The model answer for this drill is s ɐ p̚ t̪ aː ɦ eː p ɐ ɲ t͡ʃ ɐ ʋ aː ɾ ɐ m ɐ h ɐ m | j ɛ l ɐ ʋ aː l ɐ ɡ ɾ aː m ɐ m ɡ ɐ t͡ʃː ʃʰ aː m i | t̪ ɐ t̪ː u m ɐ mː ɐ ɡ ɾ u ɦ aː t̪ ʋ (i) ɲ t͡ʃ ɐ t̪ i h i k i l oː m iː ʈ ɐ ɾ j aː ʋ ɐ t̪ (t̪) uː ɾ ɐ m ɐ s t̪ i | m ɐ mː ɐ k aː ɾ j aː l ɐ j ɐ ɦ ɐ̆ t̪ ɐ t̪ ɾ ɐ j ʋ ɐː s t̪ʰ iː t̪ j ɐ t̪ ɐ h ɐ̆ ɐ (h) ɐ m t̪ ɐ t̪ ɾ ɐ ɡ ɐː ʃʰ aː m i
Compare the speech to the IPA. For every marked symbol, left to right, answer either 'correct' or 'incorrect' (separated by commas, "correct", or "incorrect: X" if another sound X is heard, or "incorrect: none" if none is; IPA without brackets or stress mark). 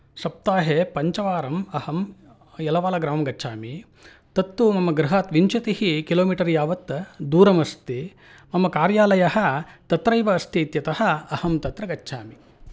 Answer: correct, incorrect: d̪, correct